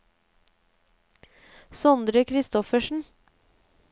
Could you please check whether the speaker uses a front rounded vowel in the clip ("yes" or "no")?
no